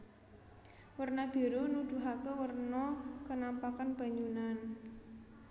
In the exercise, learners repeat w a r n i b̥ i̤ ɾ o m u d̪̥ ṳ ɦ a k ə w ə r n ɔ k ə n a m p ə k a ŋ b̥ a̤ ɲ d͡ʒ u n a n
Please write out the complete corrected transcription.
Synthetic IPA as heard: w ə r n a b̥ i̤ ɾ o n u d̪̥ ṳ ɦ a k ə w ə r n ɔ k ə n a m p a k a n b̥ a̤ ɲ d͡ʒ u n a n